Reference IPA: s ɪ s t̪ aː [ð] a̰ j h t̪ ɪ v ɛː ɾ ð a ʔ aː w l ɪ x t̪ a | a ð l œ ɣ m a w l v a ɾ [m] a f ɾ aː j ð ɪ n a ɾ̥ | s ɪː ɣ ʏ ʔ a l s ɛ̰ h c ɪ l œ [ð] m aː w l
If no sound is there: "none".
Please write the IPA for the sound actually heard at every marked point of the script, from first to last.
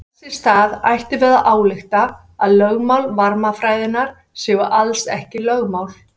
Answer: ð, m, ɣ

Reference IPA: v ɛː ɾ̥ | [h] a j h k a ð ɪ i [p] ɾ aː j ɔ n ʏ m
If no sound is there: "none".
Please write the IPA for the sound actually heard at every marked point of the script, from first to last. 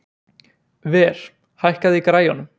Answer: h, k

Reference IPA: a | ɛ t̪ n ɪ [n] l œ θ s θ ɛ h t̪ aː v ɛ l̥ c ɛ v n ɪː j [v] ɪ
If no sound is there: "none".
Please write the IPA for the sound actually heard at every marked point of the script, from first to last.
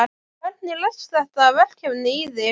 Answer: none, ð

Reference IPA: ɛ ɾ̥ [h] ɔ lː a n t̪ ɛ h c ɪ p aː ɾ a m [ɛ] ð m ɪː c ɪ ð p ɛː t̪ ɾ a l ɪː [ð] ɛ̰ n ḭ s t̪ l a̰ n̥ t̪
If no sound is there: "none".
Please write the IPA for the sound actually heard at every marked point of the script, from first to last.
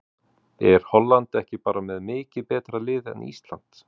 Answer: h, ɛ, ð

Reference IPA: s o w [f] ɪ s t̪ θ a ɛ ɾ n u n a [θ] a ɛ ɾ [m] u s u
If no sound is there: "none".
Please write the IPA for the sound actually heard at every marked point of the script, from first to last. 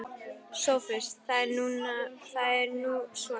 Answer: f, θ, n

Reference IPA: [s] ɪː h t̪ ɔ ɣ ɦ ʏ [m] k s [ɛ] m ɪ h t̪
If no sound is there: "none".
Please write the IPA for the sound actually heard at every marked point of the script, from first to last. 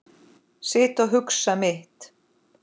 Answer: s, none, a

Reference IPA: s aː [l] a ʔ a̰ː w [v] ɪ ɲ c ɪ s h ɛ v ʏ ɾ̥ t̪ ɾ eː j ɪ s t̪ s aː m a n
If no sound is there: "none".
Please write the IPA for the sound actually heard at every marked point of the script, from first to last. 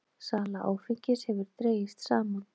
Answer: l, f

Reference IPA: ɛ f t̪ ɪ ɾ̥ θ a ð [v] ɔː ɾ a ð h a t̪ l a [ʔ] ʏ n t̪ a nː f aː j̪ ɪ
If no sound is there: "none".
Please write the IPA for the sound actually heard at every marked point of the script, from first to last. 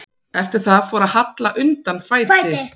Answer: f, ʔ

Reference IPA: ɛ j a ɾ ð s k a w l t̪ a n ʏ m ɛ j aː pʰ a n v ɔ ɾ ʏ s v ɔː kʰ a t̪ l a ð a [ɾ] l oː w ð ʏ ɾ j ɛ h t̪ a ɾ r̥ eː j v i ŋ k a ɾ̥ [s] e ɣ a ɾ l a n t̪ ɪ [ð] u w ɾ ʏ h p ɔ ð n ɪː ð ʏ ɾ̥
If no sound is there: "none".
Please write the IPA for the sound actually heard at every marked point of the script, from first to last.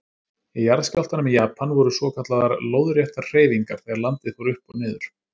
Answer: ɾ, θ, θ

